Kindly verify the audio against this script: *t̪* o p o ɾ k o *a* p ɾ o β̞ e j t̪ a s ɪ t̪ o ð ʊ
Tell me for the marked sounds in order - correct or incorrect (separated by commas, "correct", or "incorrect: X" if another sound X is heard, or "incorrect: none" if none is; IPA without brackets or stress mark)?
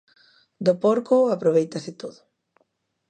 incorrect: d̪, correct